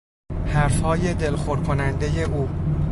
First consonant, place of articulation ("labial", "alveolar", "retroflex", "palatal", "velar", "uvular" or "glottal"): glottal